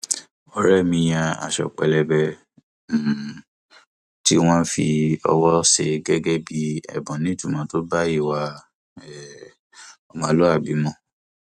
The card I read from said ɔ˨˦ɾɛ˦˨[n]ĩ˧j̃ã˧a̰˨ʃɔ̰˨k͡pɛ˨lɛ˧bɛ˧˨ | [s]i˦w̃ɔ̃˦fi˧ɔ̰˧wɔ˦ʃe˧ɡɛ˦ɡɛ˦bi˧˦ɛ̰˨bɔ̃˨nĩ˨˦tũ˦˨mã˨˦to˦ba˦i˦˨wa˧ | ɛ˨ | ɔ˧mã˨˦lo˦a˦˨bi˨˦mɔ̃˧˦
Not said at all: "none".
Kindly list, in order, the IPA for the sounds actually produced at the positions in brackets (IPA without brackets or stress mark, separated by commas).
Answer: m, t